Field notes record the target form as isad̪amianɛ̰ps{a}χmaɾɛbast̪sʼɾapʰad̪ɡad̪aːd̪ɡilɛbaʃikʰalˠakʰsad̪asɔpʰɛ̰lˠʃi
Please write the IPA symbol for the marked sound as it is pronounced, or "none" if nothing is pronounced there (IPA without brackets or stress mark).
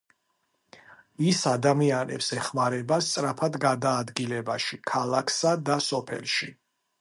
ɛ